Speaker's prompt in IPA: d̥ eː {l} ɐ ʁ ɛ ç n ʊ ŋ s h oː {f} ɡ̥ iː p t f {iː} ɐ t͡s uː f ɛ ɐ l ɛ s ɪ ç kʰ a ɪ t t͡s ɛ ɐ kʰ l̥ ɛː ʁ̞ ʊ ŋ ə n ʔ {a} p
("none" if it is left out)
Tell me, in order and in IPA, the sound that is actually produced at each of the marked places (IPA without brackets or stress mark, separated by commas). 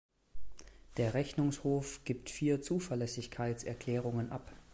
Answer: none, f, iː, a